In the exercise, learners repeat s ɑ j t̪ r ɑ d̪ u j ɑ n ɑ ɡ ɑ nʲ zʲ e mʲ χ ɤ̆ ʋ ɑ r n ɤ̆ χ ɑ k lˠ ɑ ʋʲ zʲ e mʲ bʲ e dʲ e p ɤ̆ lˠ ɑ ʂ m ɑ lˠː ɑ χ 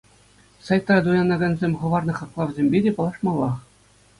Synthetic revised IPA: s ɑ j t̪ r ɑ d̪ u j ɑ n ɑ ɡ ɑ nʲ zʲ e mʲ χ ɤ̆ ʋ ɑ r n ɤ̆ χ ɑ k lˠ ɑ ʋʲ zʲ e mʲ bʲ e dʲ e p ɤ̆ lˠ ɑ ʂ m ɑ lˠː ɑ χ